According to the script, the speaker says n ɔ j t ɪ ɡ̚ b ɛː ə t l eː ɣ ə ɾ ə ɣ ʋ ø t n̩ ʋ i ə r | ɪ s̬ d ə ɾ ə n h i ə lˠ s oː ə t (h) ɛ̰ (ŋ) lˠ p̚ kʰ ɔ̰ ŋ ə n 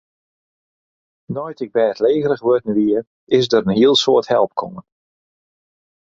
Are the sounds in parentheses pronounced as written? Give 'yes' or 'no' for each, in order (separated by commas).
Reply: yes, no